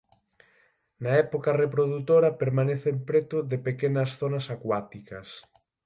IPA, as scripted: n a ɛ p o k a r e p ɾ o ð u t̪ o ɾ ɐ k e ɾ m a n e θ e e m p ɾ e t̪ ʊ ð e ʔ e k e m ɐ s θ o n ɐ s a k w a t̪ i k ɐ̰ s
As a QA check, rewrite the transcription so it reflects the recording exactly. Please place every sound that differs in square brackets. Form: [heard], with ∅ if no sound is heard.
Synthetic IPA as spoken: n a ɛ p o k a r e p ɾ o ð u t̪ o ɾ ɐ [p] e ɾ m a n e θ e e m p ɾ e t̪ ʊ ð e [p] e k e [n] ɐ s θ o n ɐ s a k w a t̪ i k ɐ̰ s